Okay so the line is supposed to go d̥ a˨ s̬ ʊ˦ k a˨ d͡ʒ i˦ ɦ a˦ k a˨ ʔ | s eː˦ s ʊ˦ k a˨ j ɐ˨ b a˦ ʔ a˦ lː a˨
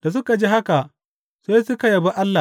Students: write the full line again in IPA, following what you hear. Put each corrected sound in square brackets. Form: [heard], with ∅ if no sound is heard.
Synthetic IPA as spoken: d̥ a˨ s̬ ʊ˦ k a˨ d͡ʒ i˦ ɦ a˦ k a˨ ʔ | s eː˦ s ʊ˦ k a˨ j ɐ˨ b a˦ ʔ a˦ lː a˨